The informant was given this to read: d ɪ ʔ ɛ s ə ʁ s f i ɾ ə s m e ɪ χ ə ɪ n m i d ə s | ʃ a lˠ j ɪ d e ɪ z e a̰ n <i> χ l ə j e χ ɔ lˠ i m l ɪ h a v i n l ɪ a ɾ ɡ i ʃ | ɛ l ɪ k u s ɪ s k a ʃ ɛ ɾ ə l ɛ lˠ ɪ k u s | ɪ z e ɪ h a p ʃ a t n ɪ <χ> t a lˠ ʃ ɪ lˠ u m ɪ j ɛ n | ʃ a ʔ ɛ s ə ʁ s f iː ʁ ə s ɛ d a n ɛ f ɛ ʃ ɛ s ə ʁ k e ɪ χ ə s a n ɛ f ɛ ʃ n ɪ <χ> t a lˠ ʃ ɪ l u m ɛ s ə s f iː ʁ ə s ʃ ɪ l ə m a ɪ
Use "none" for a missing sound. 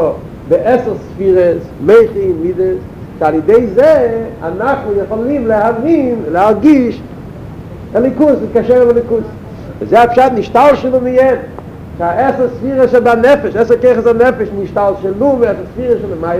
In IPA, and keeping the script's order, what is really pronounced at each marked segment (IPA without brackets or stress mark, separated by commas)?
a, ʃ, ʃ